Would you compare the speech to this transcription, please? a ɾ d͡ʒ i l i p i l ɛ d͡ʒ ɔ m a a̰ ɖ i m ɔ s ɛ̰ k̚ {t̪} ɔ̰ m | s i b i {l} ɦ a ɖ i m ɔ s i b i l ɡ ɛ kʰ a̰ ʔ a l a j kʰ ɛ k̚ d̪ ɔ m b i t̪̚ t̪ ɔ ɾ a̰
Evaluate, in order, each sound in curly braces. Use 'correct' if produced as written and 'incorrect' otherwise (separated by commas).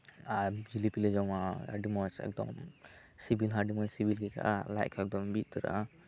incorrect, correct